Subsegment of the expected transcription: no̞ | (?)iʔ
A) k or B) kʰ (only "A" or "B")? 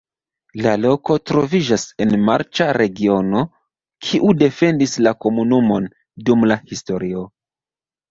B